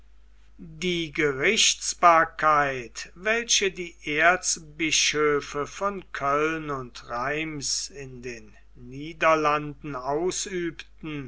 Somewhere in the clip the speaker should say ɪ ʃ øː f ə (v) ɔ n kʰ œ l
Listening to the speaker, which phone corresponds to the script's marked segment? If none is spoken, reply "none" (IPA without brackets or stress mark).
f